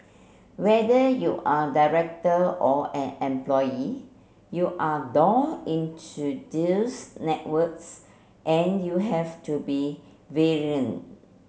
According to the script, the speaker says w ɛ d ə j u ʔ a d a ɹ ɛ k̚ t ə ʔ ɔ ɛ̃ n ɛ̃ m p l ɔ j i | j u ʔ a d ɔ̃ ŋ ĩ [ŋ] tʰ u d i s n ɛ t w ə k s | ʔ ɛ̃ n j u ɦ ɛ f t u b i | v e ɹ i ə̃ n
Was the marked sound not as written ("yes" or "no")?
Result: yes